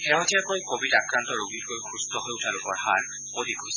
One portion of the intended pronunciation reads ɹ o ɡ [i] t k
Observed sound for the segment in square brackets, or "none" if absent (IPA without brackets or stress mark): i